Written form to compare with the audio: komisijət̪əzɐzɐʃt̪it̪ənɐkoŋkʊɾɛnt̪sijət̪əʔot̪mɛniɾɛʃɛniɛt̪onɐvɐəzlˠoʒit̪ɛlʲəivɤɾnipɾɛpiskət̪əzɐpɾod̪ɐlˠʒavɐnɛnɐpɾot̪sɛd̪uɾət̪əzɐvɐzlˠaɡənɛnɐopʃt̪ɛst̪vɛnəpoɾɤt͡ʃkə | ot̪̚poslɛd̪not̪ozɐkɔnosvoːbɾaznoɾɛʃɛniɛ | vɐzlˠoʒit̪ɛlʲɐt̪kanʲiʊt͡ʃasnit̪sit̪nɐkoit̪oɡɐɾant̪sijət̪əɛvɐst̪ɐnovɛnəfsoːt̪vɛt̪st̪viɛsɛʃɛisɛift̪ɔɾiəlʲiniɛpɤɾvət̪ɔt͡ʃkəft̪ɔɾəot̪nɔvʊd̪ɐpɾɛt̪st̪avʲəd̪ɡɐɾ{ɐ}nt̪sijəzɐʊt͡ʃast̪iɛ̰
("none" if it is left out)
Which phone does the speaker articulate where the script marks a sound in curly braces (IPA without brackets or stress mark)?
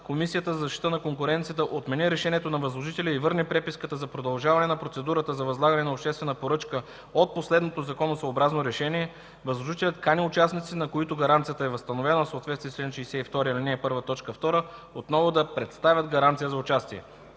a